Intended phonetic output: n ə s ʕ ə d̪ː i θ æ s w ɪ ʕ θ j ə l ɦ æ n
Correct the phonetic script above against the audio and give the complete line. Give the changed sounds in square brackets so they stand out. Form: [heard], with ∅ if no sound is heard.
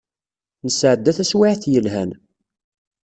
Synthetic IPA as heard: n ə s ʕ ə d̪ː [æ] θ æ s w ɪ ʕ θ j ə l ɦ æ n